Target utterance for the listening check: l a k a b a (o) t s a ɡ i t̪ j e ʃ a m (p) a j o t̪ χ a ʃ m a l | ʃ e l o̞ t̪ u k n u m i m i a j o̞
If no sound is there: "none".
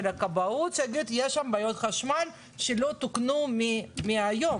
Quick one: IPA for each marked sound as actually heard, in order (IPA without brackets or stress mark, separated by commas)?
u, b